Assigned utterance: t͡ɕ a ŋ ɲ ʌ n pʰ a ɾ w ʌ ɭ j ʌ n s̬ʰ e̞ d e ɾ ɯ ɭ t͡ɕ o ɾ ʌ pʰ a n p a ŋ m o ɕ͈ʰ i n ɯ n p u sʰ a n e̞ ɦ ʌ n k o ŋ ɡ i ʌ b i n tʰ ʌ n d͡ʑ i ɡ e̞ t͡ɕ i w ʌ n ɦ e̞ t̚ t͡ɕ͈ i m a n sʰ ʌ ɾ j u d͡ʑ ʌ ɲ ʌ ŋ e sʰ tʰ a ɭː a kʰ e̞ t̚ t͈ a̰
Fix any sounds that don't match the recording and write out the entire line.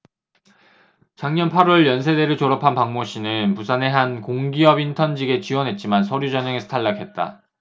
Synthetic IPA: t͡ɕ a ŋ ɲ ʌ n pʰ a ɾ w ʌ ɭ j ʌ n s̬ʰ e̞ d e ɾ ɯ ɭ t͡ɕ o ɾ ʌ pʰ a n p a ŋ m o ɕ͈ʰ i n ɯ n p u sʰ a n e̞ ɦ a n k o ŋ ɡ i ʌ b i n tʰ ʌ n d͡ʑ i ɡ e̞ t͡ɕ i w ʌ n ɦ e̞ t̚ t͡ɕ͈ i m a n sʰ ʌ ɾ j u d͡ʑ ʌ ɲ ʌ ŋ e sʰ tʰ a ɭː a kʰ e̞ t̚ t͈ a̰